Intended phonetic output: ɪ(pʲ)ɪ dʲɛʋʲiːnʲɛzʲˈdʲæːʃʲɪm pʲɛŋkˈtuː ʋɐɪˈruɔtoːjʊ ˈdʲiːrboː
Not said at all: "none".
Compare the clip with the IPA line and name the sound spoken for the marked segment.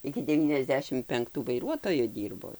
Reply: kʲ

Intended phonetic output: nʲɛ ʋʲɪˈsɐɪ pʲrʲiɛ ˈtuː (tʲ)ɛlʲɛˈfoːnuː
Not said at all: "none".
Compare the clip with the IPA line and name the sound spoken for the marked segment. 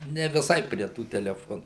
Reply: tʲ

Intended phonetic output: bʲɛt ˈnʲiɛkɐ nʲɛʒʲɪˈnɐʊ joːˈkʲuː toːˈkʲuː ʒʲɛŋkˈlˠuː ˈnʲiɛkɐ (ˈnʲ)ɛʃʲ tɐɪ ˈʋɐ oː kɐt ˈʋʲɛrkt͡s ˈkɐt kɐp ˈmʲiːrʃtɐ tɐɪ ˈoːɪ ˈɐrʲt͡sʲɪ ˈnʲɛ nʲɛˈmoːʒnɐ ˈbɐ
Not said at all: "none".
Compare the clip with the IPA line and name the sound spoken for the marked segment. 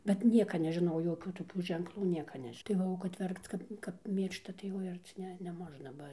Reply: nʲ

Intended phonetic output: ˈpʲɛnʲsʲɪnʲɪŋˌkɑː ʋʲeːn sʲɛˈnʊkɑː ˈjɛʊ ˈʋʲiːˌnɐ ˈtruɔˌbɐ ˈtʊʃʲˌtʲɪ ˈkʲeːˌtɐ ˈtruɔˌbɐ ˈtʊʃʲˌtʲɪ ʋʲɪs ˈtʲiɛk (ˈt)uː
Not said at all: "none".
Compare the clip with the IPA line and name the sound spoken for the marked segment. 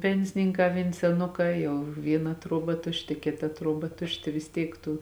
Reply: t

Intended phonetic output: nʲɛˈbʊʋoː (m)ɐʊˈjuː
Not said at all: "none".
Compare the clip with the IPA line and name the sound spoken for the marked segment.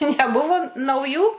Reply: n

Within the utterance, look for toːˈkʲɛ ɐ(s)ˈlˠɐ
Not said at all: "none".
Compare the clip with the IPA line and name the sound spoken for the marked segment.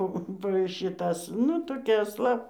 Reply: s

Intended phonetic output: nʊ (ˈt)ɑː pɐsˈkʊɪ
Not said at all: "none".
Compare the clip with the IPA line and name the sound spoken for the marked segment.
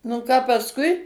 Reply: k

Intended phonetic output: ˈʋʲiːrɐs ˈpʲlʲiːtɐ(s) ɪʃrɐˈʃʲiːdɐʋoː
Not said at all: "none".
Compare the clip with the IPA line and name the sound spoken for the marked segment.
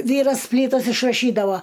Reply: s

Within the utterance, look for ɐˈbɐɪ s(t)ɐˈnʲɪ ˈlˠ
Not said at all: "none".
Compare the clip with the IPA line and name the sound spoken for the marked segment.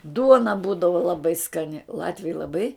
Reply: k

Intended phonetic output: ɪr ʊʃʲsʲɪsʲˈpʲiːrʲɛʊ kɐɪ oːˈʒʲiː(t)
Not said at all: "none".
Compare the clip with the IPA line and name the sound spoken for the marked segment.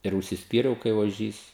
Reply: s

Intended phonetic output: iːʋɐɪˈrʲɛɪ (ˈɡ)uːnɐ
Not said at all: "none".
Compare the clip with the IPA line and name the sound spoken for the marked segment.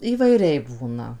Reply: b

